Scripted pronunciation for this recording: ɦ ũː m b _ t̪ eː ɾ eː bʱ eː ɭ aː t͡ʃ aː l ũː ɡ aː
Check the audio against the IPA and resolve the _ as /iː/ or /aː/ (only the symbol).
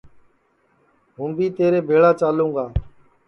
iː